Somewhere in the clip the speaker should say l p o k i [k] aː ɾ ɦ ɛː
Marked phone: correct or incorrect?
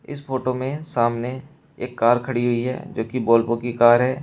correct